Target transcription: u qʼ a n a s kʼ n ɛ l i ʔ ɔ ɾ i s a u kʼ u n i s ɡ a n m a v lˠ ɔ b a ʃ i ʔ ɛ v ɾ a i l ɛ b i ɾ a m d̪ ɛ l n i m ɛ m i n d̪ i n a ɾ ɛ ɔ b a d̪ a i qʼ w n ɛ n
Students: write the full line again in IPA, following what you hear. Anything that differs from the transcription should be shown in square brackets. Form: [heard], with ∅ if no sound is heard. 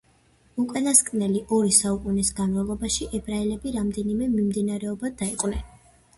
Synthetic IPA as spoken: u [kʼ] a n a s kʼ n ɛ l i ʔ ɔ ɾ i s a u kʼ u n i s ɡ a n m a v lˠ ɔ b a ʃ i ʔ ɛ [b] ɾ a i l ɛ b i ɾ a m d̪ ɛ [∅] n i m ɛ m i [m] d̪ i n a ɾ ɛ ɔ b a d̪ a i qʼ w n ɛ n